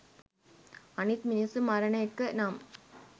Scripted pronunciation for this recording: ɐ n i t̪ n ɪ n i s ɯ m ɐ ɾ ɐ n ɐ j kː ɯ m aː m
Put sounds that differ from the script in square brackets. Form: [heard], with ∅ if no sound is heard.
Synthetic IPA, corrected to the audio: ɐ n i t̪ [m] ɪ n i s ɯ m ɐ ɾ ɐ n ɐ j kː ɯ [n] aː m